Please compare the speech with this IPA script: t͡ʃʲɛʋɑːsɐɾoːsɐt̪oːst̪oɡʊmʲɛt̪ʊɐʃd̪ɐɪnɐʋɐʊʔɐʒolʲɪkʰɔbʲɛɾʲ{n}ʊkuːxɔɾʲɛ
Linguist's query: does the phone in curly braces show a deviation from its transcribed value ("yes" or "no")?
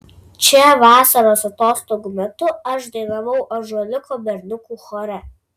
no